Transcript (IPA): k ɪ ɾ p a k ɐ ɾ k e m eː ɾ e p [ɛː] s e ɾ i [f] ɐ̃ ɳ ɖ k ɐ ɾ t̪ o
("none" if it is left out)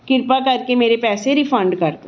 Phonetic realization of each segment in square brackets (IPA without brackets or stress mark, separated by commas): ɛː, f